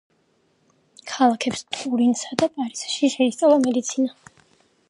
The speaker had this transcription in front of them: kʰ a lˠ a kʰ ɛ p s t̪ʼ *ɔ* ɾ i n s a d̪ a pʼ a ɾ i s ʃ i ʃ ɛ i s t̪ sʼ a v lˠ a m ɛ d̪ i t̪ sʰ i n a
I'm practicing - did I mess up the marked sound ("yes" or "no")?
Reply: yes